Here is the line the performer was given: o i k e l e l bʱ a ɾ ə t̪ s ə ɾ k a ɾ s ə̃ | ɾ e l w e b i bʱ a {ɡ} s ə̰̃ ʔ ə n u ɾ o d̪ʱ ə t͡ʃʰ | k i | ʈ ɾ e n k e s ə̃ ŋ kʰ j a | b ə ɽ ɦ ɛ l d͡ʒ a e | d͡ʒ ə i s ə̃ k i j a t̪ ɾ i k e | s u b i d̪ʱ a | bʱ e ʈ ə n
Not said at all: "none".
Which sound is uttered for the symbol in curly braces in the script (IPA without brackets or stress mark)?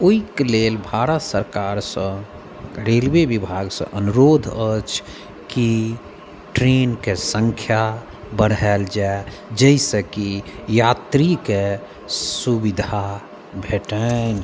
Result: ɡ